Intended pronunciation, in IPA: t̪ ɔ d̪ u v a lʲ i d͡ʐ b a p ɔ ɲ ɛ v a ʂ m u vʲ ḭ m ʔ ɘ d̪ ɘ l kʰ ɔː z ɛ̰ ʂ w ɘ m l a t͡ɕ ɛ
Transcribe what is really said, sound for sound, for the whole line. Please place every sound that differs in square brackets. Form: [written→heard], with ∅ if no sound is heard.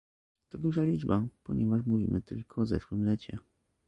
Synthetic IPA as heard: t̪ ɔ d̪ u [v→ʐ] a lʲ i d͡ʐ b a p ɔ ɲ ɛ v a ʂ m u vʲ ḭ m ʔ ɘ [d̪→t̪] ɘ l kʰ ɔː z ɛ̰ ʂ w ɘ m l [a→ɛ] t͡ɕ ɛ